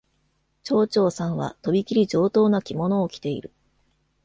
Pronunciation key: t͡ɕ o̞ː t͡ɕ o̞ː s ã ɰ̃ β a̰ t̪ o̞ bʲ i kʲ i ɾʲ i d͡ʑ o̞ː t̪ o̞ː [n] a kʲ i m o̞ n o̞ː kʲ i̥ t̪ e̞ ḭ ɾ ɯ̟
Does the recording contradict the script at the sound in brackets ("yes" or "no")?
no